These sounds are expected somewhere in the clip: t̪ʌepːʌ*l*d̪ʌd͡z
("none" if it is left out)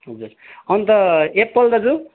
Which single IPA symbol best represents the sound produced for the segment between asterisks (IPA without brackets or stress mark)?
l